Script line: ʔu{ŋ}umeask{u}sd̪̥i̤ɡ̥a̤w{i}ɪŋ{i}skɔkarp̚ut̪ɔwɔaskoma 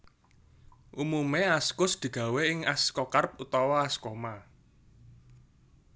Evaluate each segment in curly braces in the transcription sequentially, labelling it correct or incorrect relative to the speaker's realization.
incorrect: m, incorrect: ʊ, incorrect: e, incorrect: a

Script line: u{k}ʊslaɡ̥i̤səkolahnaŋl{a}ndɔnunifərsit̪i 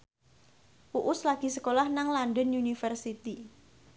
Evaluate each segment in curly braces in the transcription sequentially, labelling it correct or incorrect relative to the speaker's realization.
incorrect: ʔ, correct

